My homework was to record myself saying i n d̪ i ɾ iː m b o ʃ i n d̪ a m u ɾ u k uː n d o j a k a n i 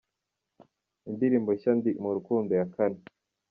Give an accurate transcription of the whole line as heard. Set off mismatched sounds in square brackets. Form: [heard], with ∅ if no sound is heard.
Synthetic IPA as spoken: i n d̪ i ɾ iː m b o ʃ [a] n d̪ [i] m u ɾ u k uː n d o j a k a n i